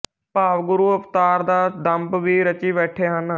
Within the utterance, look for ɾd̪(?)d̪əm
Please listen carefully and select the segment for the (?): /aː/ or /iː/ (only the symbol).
aː